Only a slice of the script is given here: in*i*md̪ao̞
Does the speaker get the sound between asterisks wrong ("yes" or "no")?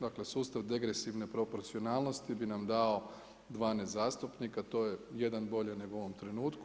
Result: yes